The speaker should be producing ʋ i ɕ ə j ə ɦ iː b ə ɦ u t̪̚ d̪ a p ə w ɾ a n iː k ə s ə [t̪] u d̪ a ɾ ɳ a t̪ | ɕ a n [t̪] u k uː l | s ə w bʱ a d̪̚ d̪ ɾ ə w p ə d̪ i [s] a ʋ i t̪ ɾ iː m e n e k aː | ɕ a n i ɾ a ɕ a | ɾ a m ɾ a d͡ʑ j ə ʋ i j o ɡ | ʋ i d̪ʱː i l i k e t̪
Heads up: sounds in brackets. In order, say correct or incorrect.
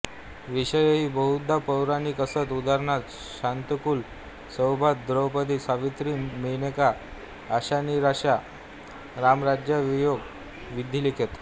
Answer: correct, correct, correct

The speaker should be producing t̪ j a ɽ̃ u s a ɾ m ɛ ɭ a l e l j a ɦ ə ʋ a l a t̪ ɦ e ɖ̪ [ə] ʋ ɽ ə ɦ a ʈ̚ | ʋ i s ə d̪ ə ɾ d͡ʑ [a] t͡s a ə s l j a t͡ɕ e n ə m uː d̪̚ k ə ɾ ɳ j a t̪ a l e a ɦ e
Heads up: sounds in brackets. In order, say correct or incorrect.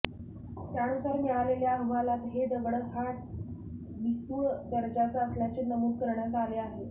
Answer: correct, correct

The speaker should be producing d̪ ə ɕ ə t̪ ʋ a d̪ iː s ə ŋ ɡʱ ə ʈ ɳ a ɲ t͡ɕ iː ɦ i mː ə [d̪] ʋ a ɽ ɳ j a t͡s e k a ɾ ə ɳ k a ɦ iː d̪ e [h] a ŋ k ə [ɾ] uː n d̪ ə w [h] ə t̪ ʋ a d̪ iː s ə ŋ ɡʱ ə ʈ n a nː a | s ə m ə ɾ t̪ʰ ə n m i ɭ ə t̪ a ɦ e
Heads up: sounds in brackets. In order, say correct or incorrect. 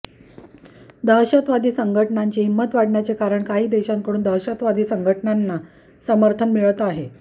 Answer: incorrect, incorrect, incorrect, incorrect

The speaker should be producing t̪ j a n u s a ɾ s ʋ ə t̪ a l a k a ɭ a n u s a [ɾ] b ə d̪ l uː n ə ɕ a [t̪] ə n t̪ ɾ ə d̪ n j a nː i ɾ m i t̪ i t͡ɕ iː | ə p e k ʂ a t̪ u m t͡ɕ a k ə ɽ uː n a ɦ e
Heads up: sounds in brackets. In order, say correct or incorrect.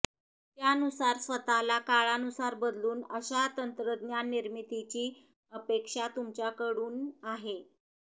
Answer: correct, correct

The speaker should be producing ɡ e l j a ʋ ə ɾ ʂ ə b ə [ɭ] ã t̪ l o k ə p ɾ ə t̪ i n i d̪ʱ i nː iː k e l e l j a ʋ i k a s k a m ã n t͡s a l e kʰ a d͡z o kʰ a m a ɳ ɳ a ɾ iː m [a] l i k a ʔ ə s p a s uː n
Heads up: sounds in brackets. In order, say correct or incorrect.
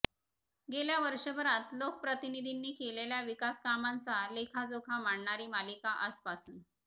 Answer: incorrect, correct

